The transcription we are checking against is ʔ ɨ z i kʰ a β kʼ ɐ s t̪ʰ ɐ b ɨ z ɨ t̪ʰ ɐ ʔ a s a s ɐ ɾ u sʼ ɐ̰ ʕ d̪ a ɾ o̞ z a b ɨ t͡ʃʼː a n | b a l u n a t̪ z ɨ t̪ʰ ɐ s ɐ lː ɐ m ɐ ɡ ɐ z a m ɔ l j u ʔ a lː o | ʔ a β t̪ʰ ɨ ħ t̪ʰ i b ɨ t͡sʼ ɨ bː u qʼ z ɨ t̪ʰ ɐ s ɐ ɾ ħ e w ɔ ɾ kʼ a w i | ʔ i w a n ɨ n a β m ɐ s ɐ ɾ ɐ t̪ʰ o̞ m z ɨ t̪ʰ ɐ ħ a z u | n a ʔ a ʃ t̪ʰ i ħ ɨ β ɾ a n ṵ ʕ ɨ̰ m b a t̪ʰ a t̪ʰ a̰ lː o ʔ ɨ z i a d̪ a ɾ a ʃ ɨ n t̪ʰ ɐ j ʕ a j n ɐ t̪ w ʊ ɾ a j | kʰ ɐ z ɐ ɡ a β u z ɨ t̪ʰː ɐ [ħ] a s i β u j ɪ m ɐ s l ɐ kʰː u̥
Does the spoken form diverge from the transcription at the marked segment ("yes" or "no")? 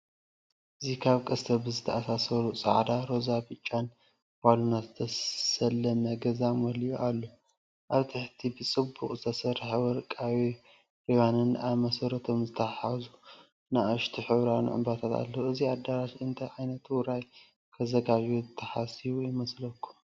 no